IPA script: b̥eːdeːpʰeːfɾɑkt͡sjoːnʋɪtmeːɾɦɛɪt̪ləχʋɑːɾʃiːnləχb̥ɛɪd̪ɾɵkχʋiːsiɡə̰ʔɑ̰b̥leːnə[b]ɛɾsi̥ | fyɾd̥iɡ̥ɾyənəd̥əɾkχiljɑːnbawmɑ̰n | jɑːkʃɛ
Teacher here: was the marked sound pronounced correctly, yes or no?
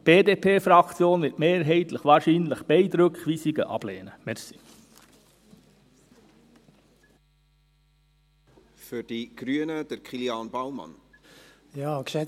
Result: no